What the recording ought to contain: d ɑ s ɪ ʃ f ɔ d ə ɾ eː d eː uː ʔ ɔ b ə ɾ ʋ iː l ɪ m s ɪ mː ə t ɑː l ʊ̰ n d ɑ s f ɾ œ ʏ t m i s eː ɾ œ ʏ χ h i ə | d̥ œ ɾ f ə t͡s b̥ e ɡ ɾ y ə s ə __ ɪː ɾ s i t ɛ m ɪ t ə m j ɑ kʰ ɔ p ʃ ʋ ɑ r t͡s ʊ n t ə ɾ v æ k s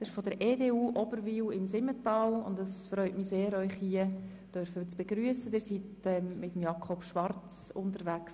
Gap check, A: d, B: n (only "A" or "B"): A